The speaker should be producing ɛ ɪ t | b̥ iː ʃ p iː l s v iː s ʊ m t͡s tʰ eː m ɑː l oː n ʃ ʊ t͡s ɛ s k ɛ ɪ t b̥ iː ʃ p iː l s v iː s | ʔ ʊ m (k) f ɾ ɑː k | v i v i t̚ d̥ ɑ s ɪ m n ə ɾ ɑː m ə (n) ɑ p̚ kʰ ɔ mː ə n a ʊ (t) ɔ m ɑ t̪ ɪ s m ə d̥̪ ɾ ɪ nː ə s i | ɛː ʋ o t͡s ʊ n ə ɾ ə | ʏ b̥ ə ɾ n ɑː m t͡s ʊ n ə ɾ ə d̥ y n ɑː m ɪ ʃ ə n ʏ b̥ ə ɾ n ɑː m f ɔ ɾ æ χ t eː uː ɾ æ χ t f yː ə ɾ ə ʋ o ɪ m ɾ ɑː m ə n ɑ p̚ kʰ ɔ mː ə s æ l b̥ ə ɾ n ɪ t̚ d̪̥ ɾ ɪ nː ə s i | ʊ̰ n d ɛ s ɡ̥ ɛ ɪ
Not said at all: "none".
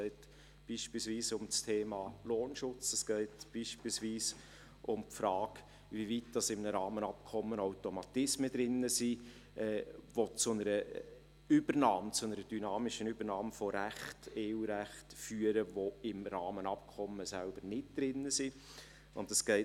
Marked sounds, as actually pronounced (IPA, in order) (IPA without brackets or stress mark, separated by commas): p, n, t